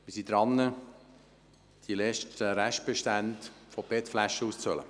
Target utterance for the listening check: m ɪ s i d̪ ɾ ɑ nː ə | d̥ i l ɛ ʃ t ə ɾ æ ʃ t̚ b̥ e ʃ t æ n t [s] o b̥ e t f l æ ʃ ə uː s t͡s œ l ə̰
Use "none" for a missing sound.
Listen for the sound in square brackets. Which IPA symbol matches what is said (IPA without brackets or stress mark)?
f